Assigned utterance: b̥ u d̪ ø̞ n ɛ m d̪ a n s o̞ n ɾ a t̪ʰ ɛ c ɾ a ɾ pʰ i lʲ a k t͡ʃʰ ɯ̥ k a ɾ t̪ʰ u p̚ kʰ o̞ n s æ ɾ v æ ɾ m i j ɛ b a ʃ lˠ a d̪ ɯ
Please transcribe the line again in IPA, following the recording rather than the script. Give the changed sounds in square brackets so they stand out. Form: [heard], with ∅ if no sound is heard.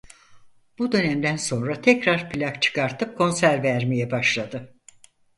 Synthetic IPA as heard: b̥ u d̪ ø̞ n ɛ m d̪ [æ] n s o̞ n ɾ a t̪ʰ ɛ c ɾ a ɾ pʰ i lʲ a k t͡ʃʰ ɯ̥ k a ɾ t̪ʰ [ɯ] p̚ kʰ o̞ n s æ ɾ v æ ɾ m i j ɛ b a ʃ lˠ a d̪ ɯ